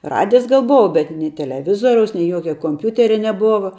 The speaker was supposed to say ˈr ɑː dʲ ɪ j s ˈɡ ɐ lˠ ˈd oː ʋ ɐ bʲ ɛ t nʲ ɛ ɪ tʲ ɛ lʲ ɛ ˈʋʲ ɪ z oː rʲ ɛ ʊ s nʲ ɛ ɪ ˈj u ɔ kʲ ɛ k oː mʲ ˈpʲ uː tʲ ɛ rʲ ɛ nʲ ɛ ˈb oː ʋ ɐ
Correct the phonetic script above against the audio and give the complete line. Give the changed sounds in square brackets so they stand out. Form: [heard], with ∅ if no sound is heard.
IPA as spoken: ˈr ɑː dʲ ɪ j s ˈɡ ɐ lˠ [ˈb] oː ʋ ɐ bʲ ɛ t nʲ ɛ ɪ tʲ ɛ lʲ ɛ ˈʋʲ ɪ z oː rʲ ɛ ʊ s nʲ ɛ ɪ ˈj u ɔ kʲ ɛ k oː mʲ ˈpʲ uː tʲ ɛ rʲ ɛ nʲ ɛ ˈb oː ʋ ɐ